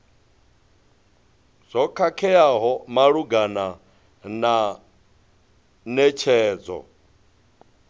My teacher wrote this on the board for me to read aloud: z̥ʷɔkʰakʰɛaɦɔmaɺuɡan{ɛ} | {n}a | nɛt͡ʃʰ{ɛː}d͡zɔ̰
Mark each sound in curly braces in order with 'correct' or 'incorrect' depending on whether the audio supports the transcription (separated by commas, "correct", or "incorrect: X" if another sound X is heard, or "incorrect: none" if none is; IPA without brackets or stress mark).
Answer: incorrect: a, correct, correct